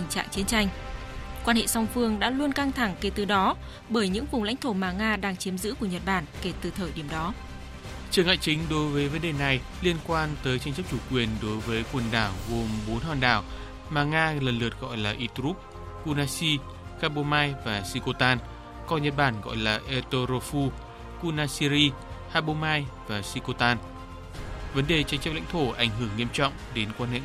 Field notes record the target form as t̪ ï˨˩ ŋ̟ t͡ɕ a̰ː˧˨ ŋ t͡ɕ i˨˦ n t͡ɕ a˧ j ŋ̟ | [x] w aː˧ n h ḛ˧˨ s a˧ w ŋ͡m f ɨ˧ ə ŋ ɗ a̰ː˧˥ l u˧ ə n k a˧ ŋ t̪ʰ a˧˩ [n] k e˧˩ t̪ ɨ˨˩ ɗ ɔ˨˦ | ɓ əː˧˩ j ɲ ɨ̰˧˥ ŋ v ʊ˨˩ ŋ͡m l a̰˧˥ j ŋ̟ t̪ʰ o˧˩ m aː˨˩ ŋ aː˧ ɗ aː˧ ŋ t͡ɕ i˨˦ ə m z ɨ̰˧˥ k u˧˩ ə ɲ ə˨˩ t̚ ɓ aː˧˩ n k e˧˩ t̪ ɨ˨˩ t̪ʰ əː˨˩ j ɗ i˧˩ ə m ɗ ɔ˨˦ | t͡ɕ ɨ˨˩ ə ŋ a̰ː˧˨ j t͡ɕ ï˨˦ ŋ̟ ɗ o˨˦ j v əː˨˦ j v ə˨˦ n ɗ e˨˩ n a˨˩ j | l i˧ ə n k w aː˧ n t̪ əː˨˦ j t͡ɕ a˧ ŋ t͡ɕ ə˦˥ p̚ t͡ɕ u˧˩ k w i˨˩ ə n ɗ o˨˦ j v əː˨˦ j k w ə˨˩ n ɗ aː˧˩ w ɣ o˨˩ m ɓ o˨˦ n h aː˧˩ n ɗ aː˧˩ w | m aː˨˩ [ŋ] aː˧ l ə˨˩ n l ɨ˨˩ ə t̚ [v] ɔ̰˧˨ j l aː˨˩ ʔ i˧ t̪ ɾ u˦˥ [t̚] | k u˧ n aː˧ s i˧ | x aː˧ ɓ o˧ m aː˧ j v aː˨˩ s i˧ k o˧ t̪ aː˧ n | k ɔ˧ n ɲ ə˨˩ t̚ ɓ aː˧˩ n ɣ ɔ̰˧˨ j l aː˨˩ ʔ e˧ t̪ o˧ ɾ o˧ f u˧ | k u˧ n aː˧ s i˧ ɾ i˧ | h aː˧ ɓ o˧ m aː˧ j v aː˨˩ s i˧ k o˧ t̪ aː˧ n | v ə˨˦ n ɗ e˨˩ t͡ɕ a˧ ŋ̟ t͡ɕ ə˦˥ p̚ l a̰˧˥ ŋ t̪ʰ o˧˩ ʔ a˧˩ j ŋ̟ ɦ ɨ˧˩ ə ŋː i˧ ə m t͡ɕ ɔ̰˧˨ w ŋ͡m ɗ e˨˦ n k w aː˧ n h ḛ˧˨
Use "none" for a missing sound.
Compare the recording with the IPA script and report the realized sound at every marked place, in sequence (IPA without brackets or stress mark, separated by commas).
k, ŋ, ŋ, ɣ, p̚